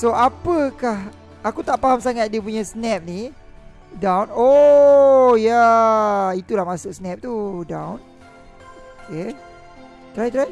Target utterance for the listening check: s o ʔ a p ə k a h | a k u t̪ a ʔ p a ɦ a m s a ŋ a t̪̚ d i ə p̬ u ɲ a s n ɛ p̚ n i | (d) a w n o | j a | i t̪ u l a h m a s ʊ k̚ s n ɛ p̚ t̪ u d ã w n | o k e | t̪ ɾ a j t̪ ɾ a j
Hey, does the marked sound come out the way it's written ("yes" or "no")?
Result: yes